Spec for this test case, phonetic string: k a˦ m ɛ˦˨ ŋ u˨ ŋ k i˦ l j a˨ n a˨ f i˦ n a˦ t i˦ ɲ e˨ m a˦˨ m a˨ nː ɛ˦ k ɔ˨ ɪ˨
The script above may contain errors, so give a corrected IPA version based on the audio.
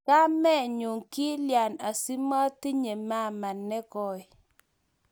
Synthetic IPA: k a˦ m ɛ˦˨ ɲ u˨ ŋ k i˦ l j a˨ n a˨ s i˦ m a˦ t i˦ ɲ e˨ m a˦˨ m a˨ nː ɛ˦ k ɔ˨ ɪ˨